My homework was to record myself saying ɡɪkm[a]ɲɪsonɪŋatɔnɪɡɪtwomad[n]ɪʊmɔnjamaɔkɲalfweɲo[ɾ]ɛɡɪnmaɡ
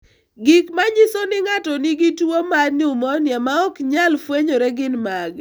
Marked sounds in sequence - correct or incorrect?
correct, correct, correct

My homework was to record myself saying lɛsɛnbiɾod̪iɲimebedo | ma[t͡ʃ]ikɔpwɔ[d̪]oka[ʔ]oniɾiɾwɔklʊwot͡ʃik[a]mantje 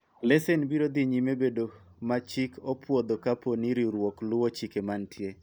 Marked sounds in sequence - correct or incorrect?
correct, correct, incorrect: p, incorrect: e

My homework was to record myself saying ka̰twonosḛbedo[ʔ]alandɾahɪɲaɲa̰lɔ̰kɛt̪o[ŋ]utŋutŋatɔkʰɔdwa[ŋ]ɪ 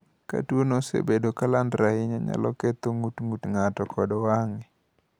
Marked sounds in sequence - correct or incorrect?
incorrect: k, correct, correct

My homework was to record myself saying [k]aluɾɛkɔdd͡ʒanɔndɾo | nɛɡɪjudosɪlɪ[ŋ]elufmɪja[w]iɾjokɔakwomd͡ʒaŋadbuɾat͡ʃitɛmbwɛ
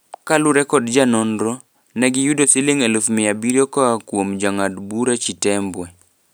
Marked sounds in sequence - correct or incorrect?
correct, correct, incorrect: b

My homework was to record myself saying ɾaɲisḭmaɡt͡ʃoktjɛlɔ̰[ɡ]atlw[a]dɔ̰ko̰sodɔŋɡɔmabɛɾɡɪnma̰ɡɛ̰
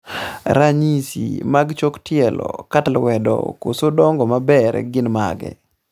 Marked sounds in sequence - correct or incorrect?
incorrect: k, incorrect: ɛ

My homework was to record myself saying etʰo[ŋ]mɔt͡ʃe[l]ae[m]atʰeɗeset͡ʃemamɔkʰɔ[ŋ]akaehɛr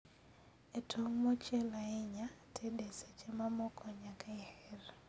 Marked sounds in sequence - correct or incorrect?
correct, correct, incorrect: ɲ, incorrect: ɲ

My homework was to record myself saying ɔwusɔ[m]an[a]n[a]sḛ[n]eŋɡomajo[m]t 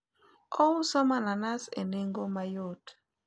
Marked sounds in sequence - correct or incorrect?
correct, correct, correct, correct, incorrect: none

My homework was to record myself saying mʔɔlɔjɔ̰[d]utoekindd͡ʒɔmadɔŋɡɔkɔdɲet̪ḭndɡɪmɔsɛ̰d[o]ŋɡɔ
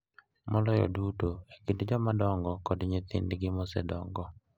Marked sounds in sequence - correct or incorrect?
correct, incorrect: ɔ

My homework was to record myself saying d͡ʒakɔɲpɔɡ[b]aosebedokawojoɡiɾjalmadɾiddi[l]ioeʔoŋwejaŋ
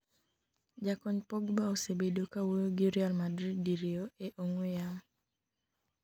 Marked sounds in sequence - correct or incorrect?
correct, incorrect: ɾ

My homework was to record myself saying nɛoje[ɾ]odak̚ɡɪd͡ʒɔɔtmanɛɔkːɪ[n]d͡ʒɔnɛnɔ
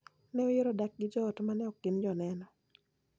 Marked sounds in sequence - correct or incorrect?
correct, correct

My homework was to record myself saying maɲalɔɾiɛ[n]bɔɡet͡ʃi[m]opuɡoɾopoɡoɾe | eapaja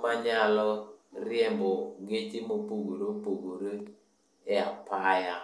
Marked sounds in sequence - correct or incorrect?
incorrect: m, correct

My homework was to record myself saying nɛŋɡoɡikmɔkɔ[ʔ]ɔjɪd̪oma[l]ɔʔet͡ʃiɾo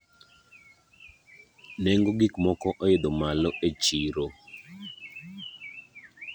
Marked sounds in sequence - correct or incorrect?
correct, correct

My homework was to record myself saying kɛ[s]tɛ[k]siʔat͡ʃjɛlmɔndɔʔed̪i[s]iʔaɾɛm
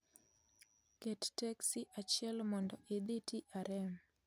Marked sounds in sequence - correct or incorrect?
incorrect: t, correct, incorrect: t

